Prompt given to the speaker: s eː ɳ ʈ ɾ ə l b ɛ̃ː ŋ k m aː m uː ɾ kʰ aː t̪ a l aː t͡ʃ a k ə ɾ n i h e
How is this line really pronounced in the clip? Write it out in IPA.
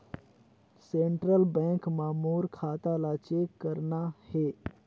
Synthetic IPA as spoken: s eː ɳ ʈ ɾ ə l b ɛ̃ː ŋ k m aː m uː ɾ kʰ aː t̪ a l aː t͡ʃ e k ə ɾ n a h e